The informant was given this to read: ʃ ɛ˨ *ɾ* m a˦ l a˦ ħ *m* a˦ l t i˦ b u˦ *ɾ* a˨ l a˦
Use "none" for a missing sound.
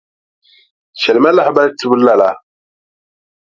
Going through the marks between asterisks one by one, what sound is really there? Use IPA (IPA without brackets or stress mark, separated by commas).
l, b, l